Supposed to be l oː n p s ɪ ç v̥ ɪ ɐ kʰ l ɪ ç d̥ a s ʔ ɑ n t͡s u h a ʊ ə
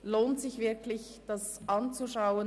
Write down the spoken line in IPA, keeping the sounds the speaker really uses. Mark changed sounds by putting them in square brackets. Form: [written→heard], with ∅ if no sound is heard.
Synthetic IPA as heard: l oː n [p→t] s ɪ ç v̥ ɪ ɐ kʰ l ɪ ç d̥ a s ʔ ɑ n t͡s u [h→ʃ] a ʊ ə